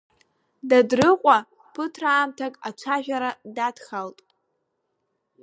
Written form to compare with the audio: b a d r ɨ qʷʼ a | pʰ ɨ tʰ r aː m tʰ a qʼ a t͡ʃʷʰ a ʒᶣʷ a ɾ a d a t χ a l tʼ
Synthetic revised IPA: d a d r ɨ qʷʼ a | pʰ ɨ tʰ r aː m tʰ a kʼ a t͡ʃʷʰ a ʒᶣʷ a ɾ a d a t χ a l tʼ